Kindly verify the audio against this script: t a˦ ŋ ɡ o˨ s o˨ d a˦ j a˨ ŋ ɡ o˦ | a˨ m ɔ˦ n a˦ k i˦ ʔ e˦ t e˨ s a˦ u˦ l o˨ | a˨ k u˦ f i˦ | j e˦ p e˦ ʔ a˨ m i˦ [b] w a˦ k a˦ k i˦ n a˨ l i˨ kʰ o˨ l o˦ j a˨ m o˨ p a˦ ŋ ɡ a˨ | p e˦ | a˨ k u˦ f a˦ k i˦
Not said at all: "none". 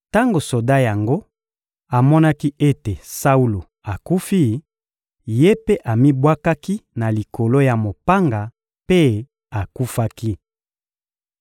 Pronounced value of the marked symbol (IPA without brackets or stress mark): b